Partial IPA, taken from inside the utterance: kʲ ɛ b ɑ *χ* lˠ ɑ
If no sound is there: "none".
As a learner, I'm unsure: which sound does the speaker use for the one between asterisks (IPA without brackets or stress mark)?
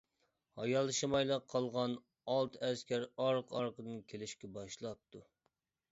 ʃ